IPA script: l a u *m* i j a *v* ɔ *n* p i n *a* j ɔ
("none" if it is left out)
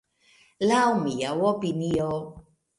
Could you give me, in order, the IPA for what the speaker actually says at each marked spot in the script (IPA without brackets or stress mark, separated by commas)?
m, w, none, i